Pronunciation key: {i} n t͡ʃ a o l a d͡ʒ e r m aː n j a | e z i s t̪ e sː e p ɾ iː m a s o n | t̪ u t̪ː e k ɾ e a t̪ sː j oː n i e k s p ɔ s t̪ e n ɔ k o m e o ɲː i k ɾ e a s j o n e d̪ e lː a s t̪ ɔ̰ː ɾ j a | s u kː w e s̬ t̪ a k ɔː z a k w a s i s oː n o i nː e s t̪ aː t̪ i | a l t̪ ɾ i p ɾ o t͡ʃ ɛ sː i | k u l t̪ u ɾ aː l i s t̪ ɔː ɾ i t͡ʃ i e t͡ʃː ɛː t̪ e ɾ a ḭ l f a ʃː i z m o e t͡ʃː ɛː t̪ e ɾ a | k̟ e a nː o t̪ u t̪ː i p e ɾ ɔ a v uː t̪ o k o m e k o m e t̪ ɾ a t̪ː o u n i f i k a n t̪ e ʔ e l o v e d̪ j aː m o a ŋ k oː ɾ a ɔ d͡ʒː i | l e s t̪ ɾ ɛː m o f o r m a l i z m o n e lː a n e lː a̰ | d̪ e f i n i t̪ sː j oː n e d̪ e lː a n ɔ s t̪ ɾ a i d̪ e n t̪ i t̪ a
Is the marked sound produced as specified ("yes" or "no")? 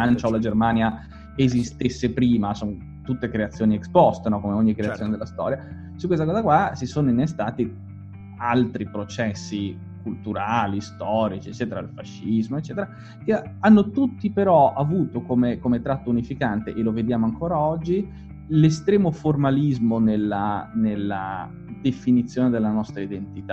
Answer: no